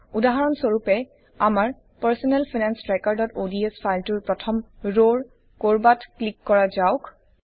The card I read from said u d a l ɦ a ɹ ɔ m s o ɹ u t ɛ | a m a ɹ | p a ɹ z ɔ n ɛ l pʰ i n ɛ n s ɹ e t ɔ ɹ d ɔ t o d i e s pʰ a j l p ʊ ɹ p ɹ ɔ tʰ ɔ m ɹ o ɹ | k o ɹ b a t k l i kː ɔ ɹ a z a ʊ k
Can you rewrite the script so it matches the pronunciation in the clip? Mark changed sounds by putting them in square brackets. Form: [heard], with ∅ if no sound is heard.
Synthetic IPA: u d a [∅] ɦ a ɹ ɔ [n] s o ɹ u [p] ɛ | a m a ɹ | p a ɹ [s] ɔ n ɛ l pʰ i n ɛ n s ɹ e [k] ɔ ɹ d ɔ t o d i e s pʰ a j l [t] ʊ ɹ p ɹ ɔ tʰ ɔ m ɹ o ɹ | k o ɹ b a t k l i kː ɔ ɹ a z a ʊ k

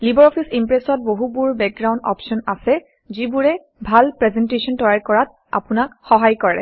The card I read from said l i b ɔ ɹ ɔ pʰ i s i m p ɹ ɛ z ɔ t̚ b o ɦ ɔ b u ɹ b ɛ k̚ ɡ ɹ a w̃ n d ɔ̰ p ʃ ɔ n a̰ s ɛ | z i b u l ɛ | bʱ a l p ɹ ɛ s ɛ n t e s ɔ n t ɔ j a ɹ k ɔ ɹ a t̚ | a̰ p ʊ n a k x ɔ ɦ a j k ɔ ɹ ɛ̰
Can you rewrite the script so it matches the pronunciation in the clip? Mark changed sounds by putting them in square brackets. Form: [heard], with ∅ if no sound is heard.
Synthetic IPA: l i b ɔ ɹ ɔ pʰ i s i m p ɹ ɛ [s] ɔ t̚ b o ɦ [u] b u ɹ b ɛ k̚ ɡ ɹ a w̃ n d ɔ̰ p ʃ ɔ n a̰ s ɛ | z i b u [ɹ] ɛ | bʱ a l p ɹ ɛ [z] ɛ n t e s ɔ n t ɔ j a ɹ k ɔ ɹ a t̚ | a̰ p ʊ n a k x ɔ ɦ a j k ɔ ɹ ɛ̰

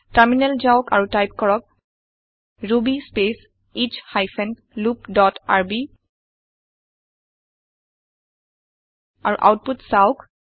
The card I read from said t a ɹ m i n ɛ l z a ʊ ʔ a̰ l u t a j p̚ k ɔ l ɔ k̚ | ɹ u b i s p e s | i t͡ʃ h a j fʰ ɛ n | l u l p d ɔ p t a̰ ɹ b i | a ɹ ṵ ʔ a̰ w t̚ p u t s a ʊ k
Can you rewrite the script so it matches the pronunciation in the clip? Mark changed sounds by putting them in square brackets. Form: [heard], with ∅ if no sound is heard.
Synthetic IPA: t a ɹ m i n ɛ l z a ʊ [k] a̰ [ɹ] u t a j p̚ k ɔ [ɹ] ɔ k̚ | ɹ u b i s p e s | i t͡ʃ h a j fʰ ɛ n | l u [∅] p d ɔ [∅] t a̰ ɹ b i | a ɹ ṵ ʔ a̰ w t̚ p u t s a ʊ k

